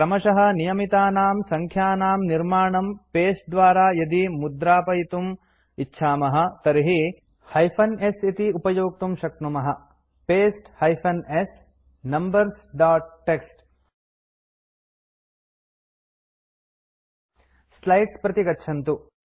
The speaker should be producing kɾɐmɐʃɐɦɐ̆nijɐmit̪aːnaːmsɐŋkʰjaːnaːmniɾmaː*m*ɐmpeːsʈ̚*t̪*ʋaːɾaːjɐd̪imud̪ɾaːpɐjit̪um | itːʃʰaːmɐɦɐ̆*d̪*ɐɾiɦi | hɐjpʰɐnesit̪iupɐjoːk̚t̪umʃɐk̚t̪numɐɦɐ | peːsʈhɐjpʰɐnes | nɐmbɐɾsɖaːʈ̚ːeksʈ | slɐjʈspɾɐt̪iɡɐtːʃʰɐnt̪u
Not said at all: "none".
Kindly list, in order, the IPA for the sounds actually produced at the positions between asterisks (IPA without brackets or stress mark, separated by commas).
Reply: ɳ, d̪, t̪